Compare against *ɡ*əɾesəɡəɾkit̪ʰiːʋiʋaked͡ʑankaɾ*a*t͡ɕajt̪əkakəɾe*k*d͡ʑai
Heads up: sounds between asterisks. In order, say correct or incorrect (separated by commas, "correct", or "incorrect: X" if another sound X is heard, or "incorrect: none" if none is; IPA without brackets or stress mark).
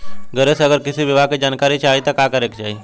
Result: correct, incorrect: i, correct